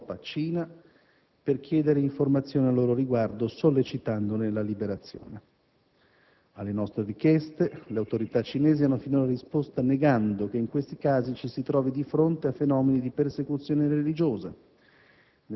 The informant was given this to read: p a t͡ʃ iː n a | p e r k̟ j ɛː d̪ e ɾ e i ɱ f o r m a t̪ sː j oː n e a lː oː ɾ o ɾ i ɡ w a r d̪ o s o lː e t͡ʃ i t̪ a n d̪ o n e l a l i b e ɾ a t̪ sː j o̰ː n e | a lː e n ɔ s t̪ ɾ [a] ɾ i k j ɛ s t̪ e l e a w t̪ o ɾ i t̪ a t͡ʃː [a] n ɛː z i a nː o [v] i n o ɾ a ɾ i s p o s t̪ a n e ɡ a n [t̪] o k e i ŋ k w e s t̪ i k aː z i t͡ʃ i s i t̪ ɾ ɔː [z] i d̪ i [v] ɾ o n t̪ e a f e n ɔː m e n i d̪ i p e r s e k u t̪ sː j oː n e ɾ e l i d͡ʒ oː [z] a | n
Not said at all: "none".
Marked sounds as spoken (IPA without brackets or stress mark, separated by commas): e, i, f, d̪, v, f, z